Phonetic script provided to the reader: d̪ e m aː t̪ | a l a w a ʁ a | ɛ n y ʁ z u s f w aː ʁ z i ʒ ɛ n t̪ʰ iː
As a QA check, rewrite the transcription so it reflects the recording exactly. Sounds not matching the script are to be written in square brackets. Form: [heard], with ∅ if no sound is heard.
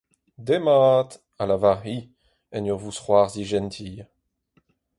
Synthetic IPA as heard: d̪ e m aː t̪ | a l a [v] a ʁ [i] | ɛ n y ʁ [v] u s [χ] w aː ʁ z i ʒ ɛ n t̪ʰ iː